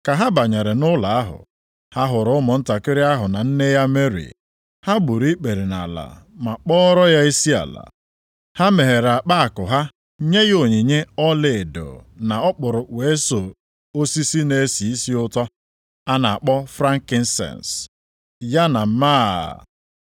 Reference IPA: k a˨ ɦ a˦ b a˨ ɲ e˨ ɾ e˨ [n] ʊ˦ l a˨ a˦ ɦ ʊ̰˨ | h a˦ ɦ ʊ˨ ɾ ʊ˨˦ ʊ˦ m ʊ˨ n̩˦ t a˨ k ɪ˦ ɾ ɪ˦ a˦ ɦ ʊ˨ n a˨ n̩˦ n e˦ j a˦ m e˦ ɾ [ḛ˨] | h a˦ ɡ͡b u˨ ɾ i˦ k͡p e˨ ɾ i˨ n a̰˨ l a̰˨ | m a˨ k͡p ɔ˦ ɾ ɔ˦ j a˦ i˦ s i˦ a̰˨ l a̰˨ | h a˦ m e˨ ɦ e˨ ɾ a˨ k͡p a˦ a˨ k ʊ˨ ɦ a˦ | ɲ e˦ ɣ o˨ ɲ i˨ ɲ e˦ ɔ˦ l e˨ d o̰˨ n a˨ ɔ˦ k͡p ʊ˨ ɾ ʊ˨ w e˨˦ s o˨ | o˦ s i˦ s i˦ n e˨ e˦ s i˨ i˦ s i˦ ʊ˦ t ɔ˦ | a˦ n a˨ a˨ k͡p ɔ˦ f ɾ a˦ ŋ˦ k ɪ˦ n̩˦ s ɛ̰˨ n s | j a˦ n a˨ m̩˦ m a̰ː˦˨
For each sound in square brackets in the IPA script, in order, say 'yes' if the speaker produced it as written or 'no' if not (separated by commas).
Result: yes, no